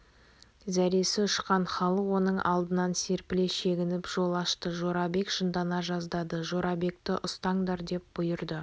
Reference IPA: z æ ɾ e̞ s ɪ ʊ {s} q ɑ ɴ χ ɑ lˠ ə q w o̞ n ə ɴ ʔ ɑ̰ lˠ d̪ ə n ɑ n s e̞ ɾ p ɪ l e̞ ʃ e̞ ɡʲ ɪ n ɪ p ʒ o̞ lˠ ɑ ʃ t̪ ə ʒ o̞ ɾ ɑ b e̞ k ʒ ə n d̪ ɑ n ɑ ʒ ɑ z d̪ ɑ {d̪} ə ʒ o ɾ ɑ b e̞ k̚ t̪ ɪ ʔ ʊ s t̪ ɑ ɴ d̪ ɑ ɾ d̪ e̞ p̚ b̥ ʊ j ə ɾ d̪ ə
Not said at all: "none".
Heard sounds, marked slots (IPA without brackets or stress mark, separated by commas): ʃ, d̪